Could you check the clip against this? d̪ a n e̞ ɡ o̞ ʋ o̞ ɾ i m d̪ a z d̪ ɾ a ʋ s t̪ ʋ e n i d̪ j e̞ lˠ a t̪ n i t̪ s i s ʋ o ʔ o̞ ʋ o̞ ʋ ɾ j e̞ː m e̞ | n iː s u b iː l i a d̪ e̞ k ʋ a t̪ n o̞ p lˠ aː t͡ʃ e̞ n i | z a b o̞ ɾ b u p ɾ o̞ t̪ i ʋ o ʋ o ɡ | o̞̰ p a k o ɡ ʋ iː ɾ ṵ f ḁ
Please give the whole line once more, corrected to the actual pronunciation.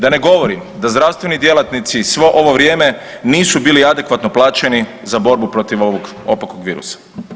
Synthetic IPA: d̪ a n e̞ ɡ o̞ ʋ o̞ ɾ i m d̪ a z d̪ ɾ a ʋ s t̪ ʋ e n i d̪ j e̞ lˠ a t̪ n i t̪ s i s ʋ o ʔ o̞ ʋ o̞ ʋ ɾ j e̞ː m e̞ | n iː s u b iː l i a d̪ e̞ k ʋ a t̪ n o̞ p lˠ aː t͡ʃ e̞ n i | z a b o̞ ɾ b u p ɾ o̞ t̪ i ʋ o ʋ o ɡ | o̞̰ p a k o ɡ ʋ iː ɾ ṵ s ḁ

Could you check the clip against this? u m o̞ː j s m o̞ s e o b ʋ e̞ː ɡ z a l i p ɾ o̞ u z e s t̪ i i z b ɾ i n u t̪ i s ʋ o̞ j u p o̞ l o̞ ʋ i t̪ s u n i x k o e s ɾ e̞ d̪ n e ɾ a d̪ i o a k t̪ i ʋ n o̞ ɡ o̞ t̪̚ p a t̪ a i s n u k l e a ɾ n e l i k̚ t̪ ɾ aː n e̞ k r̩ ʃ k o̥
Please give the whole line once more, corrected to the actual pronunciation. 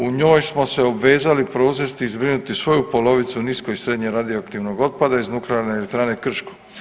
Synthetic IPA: u ɲ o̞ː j s m o̞ s e o b ʋ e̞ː z a l i p ɾ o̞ u z e s t̪ i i z b ɾ i n u t̪ i s ʋ o̞ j u p o̞ l o̞ ʋ i t̪ s u n i s k o i s ɾ e̞ d̪ ɲ e ɾ a d̪ i o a k t̪ i ʋ n o̞ ɡ o̞ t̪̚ p a d̪ a i z n u k l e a ɾ n e l e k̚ t̪ ɾ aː n e̞ k r̩ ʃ k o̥

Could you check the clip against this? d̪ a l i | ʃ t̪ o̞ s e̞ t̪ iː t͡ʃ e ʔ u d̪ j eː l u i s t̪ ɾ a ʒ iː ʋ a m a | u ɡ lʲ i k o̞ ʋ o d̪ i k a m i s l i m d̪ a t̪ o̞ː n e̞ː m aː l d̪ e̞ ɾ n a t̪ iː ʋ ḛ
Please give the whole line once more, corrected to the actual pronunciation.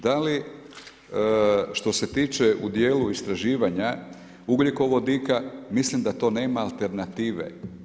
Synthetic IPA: d̪ a l i | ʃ t̪ o̞ s e̞ t̪ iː t͡ʃ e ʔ u d̪ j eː l u i s t̪ ɾ a ʒ iː ʋ a ɲ a | u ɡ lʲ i k o̞ ʋ o d̪ i k a m i s l i m d̪ a t̪ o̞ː n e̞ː m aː l t̪ e̞ ɾ n a t̪ iː ʋ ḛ

